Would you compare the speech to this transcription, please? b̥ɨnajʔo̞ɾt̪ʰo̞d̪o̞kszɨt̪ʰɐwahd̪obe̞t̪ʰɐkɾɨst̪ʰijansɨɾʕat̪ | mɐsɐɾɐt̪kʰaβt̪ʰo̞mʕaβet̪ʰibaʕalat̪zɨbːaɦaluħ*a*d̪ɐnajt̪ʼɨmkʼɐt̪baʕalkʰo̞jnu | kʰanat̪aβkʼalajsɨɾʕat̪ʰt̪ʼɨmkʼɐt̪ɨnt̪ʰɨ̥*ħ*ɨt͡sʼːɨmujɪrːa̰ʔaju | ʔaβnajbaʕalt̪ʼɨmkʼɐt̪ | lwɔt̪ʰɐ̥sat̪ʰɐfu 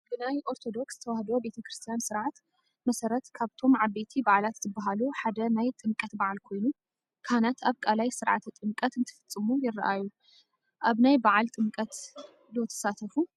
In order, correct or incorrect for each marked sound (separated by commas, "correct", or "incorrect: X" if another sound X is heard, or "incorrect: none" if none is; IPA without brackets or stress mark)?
correct, incorrect: f